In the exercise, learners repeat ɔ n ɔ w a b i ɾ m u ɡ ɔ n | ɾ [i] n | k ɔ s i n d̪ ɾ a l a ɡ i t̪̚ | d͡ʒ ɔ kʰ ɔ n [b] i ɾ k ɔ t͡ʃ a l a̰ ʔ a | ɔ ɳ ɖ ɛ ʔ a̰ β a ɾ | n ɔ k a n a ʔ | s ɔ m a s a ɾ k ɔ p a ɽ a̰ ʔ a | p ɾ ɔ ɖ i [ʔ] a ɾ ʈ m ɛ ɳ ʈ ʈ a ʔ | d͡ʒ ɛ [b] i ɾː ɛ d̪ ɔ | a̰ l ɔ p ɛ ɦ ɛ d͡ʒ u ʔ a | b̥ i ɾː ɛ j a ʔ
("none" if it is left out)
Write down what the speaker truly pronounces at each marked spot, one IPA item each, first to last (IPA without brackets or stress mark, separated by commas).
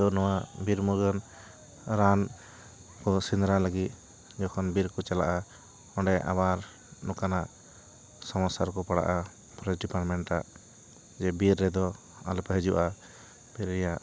a, b, p, b